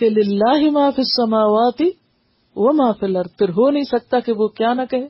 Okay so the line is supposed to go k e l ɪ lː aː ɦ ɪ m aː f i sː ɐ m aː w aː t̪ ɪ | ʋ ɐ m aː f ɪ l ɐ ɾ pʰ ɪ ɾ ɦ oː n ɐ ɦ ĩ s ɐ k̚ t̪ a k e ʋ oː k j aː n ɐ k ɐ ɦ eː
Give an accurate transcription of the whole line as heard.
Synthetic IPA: k e l ɪ lː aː ɦ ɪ m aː f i sː ɐ m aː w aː t̪ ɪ | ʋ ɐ m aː f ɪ l ɐ ɾ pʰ ɪ ɾ ɦ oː n ɐ ɦ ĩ s ɐ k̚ t̪ a k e ʋ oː k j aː n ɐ k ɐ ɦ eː